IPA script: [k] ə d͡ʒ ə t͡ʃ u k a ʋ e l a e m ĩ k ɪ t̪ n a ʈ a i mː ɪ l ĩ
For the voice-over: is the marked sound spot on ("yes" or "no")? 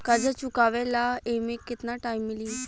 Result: yes